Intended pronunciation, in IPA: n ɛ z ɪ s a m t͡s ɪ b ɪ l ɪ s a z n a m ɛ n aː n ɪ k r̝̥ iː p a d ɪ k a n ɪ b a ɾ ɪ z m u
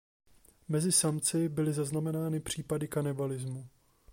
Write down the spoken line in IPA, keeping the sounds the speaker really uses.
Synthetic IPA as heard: m ɛ z ɪ s a m t͡s ɪ b ɪ l ɪ z a z n a m ɛ n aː n ɪ p r̝̥ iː p a d ɪ k a n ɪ b a l ɪ z m u